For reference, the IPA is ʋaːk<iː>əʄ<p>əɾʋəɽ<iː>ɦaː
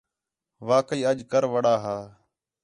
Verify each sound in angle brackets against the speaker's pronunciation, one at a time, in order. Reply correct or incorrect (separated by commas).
correct, incorrect, incorrect